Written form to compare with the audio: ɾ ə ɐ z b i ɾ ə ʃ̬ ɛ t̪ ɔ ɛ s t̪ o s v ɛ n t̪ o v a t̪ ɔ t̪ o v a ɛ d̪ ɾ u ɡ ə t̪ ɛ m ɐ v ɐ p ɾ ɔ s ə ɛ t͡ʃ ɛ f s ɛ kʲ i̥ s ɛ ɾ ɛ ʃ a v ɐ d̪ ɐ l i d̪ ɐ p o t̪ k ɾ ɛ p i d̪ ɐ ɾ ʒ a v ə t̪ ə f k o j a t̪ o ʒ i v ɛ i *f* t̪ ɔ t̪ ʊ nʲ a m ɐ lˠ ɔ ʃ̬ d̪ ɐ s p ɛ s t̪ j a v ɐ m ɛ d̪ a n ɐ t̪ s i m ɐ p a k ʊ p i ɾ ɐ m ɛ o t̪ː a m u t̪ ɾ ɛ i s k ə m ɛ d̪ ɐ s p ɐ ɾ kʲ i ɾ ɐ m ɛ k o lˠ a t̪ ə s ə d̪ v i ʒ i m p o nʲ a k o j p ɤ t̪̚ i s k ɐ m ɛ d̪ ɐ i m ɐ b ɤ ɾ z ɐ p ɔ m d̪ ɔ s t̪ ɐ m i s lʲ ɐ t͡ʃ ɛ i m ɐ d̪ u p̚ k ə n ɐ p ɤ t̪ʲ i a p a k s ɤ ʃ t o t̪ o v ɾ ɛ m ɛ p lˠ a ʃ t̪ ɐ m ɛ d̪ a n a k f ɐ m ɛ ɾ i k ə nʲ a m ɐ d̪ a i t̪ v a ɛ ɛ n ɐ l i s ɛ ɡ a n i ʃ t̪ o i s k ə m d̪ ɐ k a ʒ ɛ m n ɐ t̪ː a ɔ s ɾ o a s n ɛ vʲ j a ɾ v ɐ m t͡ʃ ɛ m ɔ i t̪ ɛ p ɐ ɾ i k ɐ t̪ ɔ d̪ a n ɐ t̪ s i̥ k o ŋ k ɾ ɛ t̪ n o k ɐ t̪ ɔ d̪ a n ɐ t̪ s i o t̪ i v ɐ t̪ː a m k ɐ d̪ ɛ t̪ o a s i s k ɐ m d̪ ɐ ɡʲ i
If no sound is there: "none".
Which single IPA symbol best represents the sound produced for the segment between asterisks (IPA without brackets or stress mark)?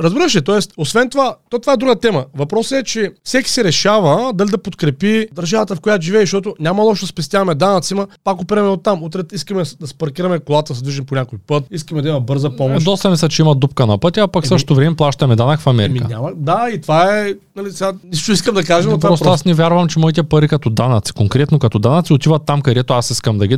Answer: ʃ